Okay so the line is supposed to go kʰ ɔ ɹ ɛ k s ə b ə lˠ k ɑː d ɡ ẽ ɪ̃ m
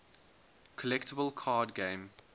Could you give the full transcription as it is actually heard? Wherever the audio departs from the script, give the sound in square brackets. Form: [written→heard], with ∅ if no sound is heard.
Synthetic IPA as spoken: kʰ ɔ [ɹ→l] ɛ k [s→t] ə b ə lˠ [k→kʰ] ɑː d ɡ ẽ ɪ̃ m